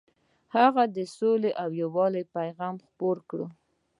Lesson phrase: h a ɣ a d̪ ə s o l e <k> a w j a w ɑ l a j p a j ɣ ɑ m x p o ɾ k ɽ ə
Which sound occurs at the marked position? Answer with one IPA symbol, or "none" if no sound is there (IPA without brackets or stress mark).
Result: ʔ